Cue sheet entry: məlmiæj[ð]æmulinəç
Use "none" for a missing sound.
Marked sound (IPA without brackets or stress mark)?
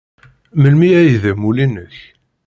ð